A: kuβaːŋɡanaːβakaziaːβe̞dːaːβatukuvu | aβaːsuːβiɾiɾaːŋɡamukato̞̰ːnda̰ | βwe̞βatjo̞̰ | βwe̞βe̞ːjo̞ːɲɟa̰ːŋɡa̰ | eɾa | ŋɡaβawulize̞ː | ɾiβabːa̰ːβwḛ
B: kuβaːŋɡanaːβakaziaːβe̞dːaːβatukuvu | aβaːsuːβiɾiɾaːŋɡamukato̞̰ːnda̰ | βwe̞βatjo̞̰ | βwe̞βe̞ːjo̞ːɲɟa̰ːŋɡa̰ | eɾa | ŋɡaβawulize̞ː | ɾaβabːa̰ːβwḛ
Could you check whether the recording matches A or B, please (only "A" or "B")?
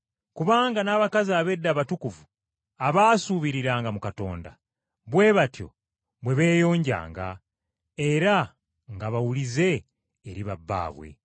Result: A